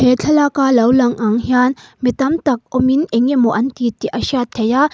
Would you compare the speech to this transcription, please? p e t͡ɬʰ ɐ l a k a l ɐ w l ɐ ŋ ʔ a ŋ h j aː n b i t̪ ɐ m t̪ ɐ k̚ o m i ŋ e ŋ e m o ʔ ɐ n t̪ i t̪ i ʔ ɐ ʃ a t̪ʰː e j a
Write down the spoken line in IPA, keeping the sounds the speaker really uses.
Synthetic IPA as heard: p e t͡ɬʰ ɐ l a k a l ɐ w l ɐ ŋ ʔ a ŋ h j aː n m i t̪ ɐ m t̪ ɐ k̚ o m i n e ŋ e m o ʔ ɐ n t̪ i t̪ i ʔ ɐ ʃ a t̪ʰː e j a